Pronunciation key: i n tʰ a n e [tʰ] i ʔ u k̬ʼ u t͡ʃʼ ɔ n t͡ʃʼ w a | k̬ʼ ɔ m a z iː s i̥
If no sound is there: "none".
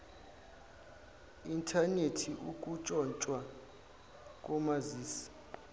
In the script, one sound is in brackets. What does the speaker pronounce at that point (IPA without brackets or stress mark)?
tʰ